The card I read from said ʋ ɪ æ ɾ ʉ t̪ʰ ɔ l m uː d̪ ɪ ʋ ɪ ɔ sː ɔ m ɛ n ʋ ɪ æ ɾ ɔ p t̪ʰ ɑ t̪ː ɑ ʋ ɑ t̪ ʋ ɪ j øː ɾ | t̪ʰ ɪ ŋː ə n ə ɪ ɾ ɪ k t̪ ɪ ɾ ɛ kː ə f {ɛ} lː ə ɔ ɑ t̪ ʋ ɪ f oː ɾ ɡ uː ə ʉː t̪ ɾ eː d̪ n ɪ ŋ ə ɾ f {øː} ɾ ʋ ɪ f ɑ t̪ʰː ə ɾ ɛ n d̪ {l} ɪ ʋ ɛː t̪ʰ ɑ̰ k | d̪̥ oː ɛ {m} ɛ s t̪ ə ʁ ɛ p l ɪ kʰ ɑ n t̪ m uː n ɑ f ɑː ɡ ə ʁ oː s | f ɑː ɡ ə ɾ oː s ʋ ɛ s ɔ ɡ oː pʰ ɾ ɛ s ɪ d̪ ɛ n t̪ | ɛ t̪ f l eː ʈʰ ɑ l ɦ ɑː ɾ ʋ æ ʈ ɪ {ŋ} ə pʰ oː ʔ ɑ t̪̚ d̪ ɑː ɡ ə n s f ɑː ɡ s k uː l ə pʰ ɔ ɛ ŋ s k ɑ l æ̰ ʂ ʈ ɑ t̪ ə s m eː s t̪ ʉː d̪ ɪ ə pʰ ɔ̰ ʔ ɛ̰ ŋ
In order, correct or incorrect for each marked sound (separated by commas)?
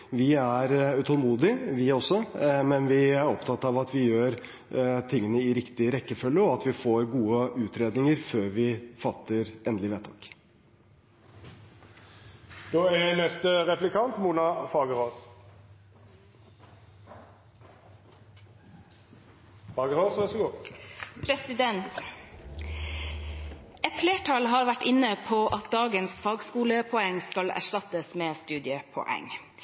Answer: incorrect, correct, correct, incorrect, incorrect